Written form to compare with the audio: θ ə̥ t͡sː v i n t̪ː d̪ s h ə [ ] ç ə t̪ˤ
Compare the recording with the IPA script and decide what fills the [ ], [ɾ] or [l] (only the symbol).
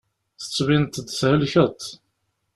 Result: l